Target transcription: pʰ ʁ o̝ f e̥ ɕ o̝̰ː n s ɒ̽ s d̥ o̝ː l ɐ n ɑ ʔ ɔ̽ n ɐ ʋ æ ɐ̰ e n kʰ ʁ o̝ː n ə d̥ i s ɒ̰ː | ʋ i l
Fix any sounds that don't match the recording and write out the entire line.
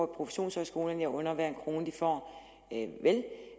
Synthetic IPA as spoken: pʰ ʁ o̝ f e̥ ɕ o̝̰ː n s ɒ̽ s ɡ̥ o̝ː l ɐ n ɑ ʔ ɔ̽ n ɐ ʋ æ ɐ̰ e n kʰ ʁ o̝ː n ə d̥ i f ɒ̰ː | ʋ e l